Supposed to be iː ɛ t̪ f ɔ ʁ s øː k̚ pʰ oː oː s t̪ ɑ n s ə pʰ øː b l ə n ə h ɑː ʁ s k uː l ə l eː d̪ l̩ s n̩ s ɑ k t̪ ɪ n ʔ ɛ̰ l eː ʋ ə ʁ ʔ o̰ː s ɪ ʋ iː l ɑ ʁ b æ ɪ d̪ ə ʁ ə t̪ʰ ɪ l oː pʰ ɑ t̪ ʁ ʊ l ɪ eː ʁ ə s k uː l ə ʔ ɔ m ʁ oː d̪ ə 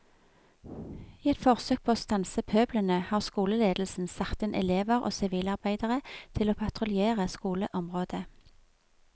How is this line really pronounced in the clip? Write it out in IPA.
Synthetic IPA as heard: iː ɛ t̪ f ɔ ʁ s øː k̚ pʰ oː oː s t̪ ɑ n s ə pʰ øː b l ə n ə h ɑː ʁ s k uː l ə l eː d̪ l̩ s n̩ s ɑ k t̪ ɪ n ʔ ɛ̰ l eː ʋ ə ʁ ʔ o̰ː s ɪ ʋ iː l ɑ ʁ b æ ɪ d̪ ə ʁ ə t̪ʰ ɪ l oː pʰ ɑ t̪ ʁ ʊ l ɪ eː ʁ ə s k uː l ə ʔ ɔ m ʁ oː d̪ ə